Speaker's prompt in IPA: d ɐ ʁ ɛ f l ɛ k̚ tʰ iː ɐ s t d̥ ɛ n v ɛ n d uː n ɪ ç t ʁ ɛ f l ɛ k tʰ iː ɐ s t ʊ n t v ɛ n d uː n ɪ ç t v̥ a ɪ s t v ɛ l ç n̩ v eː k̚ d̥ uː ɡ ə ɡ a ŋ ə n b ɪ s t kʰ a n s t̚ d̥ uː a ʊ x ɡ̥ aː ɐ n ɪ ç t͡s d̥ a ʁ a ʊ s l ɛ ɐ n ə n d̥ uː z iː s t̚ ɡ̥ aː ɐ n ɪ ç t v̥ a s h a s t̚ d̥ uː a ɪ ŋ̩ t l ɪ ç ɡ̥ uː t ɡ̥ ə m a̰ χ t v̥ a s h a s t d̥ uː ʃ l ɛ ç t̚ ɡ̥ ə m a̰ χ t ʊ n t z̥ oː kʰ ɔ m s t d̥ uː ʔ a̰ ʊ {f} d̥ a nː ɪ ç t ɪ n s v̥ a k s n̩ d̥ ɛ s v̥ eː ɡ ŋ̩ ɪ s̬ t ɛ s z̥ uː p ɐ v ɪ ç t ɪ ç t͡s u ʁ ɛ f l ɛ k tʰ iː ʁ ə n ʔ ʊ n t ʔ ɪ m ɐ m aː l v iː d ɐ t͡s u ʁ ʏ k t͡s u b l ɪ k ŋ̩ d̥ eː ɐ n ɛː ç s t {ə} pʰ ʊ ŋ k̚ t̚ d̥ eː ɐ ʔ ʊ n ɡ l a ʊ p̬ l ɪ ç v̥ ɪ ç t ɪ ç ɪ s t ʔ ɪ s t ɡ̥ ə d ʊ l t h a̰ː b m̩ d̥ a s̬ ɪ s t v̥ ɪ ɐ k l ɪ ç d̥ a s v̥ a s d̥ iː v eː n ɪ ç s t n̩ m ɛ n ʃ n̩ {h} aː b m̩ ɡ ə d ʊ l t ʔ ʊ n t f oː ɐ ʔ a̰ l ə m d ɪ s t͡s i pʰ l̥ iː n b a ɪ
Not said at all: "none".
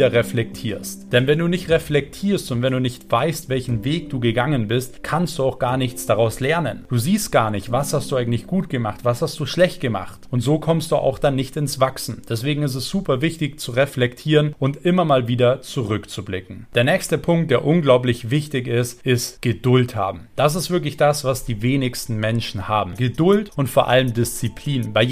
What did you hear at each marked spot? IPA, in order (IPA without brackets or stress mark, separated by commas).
x, ə, h